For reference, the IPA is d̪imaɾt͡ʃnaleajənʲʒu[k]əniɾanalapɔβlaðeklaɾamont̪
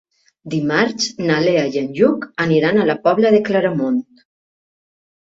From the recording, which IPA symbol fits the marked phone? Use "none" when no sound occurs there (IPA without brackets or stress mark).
k